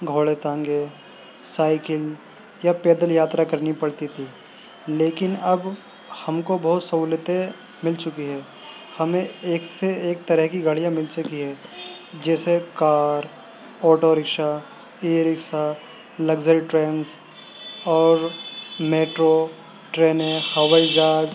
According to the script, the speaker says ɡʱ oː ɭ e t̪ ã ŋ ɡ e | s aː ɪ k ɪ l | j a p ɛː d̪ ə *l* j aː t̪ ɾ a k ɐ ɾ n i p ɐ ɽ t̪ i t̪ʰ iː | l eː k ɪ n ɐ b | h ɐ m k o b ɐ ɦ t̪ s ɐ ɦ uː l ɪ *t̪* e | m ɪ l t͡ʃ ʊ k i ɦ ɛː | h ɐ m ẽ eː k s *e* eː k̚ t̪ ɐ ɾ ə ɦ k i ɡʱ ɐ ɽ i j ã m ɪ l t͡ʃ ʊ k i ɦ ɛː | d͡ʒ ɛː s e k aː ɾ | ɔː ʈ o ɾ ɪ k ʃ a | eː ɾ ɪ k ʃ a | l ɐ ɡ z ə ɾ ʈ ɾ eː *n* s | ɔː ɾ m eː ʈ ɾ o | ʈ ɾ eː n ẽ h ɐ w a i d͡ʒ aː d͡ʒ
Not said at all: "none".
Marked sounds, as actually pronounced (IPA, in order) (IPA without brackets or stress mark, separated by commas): l, t̪, e, n